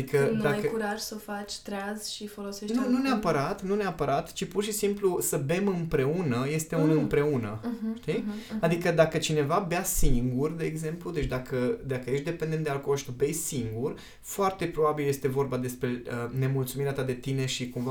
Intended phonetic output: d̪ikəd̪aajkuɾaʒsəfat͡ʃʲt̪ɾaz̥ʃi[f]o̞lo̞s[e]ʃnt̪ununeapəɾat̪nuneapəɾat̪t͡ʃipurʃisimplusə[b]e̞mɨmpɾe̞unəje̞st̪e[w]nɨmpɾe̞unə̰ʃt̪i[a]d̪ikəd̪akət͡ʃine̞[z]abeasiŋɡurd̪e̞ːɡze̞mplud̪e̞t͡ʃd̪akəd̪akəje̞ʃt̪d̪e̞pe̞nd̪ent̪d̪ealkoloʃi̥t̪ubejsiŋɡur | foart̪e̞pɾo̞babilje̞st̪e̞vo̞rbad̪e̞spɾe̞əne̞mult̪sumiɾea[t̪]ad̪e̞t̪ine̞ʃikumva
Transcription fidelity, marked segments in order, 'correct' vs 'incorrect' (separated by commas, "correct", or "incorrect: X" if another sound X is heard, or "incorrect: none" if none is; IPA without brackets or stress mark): correct, correct, correct, incorrect: u, correct, incorrect: v, correct